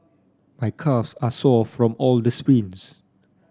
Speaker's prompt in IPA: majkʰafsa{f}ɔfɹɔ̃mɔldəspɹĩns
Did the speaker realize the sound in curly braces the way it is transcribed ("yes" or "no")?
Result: no